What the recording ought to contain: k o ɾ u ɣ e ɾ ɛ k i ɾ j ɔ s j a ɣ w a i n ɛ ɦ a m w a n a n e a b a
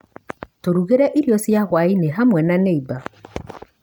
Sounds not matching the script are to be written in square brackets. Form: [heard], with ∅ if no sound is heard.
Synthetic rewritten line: [t] o ɾ u ɣ e ɾ ɛ [ʔ] i ɾ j ɔ s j a ɣ w a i n [e] ɦ a m w [ɛ] n a n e [i] b a